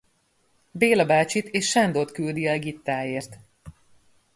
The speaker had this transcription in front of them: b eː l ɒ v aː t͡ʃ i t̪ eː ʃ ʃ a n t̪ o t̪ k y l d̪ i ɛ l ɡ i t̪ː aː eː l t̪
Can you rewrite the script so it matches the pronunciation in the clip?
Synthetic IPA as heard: b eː l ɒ b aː t͡ʃ i t̪ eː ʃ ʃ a n d̪ o t̪ k y l d̪ i ɛ l ɡ i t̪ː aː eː r t̪